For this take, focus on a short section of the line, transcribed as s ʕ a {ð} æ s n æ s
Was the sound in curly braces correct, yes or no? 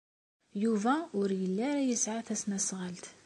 no